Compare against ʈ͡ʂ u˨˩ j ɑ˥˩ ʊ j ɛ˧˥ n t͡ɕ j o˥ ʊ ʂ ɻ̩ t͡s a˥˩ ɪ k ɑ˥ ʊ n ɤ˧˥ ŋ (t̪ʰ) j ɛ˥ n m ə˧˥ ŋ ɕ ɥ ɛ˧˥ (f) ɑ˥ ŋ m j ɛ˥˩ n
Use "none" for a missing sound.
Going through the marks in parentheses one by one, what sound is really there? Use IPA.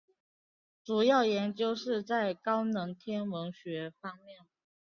t̪ʰ, f

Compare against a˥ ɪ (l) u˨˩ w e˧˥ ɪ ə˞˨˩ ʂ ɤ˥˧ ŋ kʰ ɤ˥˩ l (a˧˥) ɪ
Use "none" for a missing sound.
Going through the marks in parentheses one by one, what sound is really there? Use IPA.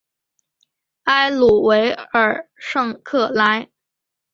l, a˥

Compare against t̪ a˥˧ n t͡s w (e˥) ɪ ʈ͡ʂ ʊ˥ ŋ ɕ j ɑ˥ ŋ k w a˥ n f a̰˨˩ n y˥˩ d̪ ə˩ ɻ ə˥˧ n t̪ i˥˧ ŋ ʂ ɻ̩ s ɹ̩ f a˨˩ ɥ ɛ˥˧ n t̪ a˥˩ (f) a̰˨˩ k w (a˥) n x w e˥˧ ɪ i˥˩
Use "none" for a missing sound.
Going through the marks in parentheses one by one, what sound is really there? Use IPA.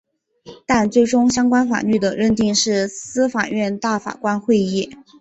e˥˩, f, a˥

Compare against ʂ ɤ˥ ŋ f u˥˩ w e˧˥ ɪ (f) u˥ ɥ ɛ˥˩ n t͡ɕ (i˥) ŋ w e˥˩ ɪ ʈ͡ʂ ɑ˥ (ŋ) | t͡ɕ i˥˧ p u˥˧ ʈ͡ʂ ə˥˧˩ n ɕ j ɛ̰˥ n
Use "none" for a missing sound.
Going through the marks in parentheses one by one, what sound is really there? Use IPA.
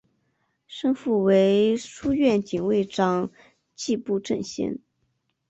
ʂ, i˨˩, ŋ

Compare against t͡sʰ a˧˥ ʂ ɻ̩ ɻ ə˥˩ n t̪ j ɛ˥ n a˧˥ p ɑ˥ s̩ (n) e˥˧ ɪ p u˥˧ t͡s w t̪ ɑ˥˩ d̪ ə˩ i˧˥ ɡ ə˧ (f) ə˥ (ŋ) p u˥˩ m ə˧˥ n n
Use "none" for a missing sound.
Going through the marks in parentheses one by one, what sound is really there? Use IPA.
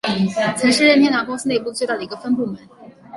n, f, n

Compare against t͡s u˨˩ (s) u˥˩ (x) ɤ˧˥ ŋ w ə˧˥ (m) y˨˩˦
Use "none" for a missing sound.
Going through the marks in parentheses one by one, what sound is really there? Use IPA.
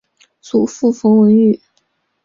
f, f, n

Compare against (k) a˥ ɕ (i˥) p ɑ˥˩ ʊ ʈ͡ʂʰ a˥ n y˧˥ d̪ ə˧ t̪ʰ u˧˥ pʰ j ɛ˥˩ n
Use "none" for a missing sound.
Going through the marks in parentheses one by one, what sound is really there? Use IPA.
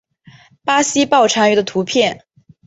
p, i˥

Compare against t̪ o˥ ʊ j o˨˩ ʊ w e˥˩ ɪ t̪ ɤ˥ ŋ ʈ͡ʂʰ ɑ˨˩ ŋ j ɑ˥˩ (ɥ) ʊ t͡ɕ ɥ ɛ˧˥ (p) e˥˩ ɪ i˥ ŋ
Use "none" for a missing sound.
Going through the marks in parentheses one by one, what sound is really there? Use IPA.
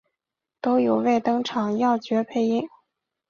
none, pʰ

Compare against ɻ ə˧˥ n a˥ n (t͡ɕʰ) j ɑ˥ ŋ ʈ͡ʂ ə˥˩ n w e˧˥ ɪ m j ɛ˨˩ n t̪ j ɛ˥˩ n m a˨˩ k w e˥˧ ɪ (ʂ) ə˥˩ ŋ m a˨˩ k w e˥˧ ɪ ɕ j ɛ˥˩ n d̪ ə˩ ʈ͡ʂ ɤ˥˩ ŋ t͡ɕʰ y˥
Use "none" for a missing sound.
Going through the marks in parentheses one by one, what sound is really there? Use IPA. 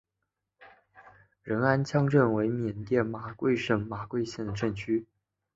t͡ɕʰ, ʂ

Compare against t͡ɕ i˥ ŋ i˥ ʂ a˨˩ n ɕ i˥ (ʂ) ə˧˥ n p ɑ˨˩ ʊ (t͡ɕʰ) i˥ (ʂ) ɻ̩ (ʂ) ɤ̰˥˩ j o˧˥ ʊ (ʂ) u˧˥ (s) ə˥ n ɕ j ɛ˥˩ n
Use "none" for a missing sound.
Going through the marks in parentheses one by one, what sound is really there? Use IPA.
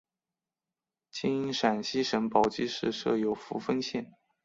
ʂ, t͡ɕ, ʂ, ʂ, f, f

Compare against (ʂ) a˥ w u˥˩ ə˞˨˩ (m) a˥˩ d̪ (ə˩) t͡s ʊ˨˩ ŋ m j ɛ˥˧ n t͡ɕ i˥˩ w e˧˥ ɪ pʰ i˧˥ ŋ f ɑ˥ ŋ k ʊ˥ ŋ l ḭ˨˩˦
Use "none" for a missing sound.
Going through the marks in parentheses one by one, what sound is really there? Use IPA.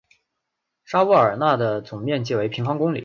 ʂ, n, ə˩

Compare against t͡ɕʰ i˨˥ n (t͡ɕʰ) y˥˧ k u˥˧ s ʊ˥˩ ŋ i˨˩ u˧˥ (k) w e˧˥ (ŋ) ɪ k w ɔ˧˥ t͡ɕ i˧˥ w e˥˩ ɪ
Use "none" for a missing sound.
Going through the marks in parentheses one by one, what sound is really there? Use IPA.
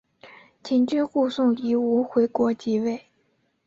t͡ɕ, x, none

